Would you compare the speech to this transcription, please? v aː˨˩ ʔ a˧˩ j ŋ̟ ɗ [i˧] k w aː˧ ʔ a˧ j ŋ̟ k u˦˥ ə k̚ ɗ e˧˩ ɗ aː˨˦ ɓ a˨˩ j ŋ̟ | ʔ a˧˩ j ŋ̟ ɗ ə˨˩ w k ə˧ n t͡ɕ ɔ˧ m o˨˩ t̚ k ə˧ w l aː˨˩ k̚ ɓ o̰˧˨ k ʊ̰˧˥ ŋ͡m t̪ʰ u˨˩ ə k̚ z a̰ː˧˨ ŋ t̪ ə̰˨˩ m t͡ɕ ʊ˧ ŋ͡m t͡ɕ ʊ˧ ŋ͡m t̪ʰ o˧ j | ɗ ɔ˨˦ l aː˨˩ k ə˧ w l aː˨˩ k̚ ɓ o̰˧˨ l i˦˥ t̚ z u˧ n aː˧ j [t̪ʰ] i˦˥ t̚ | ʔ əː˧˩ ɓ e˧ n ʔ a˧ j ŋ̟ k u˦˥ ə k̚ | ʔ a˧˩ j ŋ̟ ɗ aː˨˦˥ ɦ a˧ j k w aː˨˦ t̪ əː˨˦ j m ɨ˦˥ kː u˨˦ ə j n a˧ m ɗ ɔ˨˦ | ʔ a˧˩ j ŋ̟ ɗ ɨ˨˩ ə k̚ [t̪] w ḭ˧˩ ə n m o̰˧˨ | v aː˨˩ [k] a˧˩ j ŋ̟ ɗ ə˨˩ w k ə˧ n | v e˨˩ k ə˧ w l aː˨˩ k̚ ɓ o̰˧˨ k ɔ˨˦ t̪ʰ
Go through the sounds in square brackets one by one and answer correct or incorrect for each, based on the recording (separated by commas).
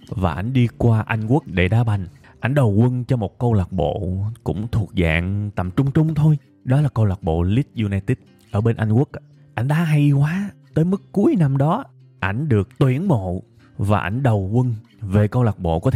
correct, incorrect, correct, incorrect